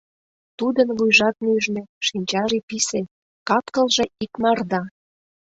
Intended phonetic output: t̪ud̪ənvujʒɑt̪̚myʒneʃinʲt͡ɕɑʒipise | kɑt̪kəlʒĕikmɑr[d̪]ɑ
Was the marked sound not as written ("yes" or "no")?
no